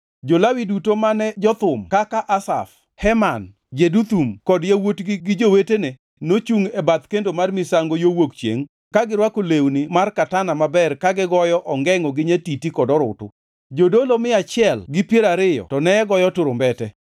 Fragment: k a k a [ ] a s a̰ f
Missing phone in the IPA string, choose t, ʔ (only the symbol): ʔ